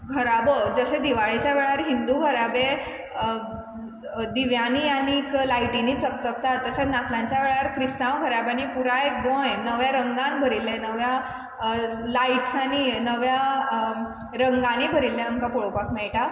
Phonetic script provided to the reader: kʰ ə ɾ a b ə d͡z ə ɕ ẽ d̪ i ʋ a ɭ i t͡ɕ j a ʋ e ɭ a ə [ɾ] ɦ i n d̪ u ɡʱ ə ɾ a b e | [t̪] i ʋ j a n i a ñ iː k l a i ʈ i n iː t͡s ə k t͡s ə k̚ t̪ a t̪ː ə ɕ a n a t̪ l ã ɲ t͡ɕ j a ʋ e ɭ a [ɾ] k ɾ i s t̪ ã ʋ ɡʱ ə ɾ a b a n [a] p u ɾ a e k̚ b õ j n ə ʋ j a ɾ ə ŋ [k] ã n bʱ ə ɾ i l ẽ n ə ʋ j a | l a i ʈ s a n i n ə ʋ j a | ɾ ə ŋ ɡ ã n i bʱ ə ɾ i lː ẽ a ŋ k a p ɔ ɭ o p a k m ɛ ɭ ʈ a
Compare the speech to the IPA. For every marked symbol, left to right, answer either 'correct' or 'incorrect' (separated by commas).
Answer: correct, incorrect, correct, incorrect, incorrect